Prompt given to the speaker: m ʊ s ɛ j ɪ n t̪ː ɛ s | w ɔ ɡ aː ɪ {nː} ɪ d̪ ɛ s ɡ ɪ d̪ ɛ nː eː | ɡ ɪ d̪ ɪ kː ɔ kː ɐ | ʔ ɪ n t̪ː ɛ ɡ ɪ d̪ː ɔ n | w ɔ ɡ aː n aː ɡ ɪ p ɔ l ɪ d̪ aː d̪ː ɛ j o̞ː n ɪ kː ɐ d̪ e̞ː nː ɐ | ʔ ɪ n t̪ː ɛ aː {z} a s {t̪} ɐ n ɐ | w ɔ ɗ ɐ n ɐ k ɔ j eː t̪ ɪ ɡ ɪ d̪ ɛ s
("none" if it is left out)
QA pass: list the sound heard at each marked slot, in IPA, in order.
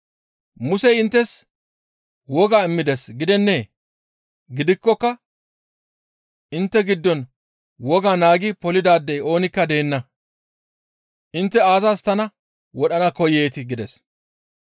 mː, z, t̪

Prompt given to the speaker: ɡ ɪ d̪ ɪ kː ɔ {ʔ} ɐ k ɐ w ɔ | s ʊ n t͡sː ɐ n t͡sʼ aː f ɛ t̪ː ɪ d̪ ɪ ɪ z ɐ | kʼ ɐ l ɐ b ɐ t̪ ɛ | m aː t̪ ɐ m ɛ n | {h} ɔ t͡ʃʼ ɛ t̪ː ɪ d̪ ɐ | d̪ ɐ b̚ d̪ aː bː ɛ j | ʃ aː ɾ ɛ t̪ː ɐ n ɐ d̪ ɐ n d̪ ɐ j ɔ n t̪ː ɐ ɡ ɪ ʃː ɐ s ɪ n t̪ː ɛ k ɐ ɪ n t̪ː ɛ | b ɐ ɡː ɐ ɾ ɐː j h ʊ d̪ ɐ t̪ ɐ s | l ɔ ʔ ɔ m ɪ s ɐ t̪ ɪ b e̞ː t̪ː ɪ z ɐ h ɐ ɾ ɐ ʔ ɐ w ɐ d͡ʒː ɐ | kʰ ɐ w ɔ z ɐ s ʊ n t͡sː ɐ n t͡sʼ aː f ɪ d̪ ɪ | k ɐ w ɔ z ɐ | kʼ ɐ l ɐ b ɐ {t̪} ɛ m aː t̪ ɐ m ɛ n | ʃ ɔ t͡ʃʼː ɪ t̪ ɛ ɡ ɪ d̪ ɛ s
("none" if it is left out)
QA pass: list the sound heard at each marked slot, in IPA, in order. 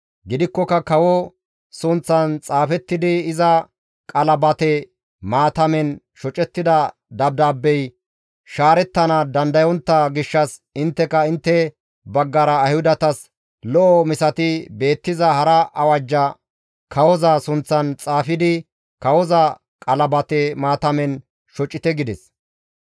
k, ʃ, t̪

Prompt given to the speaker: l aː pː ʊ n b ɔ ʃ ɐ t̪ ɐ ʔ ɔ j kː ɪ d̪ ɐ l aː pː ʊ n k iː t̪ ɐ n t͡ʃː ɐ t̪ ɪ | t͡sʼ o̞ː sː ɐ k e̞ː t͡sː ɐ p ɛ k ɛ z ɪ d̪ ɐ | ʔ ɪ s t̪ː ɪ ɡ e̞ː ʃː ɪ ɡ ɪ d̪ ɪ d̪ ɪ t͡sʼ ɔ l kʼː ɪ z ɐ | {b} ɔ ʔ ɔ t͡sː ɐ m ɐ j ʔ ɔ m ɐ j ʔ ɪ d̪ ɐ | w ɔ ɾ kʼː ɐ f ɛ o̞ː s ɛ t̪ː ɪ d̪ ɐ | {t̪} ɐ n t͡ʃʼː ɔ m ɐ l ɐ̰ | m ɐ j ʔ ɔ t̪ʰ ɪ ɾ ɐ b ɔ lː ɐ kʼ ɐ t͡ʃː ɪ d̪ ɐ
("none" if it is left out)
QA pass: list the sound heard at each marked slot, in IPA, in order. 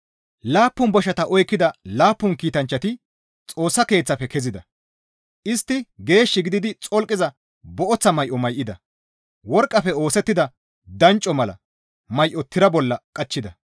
b, d̪

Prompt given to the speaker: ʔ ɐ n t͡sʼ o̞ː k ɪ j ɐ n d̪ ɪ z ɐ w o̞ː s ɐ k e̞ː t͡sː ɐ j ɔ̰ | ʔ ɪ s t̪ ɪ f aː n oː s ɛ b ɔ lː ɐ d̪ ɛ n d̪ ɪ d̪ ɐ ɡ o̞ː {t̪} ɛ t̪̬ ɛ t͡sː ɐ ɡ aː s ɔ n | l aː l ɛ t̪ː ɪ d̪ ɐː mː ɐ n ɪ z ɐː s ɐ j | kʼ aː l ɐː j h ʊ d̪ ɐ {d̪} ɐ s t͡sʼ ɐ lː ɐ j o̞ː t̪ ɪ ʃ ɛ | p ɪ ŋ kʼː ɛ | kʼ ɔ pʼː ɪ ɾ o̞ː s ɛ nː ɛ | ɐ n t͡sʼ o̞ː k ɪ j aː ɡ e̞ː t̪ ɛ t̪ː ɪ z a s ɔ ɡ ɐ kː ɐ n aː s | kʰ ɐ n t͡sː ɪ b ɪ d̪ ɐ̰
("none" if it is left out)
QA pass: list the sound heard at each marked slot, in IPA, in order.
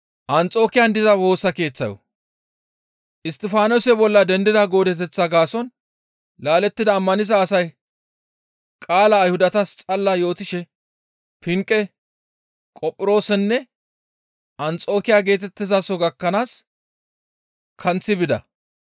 d̪, t̪

